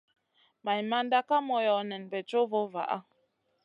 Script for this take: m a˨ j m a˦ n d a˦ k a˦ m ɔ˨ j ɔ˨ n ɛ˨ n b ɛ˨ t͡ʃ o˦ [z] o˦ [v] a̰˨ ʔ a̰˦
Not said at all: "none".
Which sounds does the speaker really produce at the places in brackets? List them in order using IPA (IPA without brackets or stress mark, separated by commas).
v, v